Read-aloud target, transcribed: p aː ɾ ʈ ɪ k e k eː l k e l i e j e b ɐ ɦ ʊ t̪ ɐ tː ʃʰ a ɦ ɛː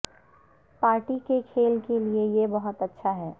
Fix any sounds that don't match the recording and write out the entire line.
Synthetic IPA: p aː ɾ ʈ i k e kʰ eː l k e l i e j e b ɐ ɦ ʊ t̪ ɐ tː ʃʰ a ɦ ɛː